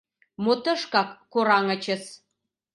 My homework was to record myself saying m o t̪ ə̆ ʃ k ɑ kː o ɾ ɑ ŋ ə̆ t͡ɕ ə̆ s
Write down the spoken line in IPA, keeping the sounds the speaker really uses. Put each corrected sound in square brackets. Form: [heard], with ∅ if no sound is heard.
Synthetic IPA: m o t̪ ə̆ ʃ k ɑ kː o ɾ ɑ ŋ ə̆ t͡ɕ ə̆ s